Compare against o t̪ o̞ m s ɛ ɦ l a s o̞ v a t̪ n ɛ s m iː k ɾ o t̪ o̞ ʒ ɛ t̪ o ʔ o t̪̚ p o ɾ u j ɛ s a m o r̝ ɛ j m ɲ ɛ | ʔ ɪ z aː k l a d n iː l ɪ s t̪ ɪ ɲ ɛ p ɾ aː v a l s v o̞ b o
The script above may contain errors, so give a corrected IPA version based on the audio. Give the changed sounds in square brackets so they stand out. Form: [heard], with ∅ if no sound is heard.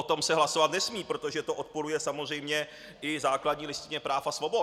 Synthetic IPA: o t̪ o̞ m s ɛ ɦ l a s o̞ v a t̪ n ɛ s m iː [p] ɾ o t̪ o̞ ʒ ɛ t̪ o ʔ o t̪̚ p o ɾ u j ɛ s a m o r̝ ɛ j m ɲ ɛ | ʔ ɪ z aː k l a d [ɲ] iː l ɪ s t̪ ɪ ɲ ɛ p ɾ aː [f] a [∅] s v o̞ b o